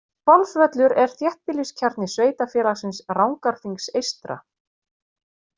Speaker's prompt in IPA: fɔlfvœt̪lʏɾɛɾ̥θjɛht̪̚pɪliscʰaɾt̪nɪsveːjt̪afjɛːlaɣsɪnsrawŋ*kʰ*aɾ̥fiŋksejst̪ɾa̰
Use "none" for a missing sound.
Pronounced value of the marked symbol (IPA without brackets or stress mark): k